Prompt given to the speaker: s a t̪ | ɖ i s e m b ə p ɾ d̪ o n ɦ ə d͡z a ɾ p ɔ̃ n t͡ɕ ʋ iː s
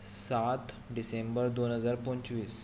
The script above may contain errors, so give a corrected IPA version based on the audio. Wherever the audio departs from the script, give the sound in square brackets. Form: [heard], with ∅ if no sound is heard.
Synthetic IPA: s a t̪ | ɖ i s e m b ə [∅] ɾ d̪ o n ɦ ə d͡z a ɾ p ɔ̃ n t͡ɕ ʋ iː s

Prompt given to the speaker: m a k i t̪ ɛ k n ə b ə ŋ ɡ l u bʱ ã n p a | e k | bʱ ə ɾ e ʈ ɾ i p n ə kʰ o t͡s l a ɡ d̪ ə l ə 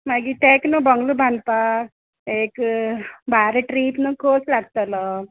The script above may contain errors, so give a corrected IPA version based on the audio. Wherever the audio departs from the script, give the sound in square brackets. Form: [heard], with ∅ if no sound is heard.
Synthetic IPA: m a [ɡ] i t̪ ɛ k n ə b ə ŋ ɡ l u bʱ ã n p a | e k | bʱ [a] ɾ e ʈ ɾ i p n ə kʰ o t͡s l a ɡ [t̪] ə l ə

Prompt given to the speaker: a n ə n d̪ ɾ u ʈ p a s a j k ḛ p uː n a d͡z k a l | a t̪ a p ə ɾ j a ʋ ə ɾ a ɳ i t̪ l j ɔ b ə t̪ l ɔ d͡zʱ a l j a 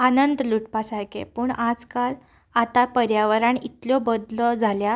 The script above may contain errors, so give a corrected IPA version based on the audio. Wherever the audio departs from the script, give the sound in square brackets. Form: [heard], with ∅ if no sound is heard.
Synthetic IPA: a n ə n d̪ [l] u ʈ p a s a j k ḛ p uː [ɳ] a d͡z k a l | a t̪ a p ə ɾ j a ʋ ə ɾ a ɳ i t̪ l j ɔ b ə [d̪] l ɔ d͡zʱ a l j a

